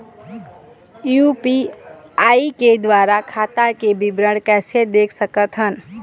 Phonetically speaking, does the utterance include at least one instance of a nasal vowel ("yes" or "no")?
no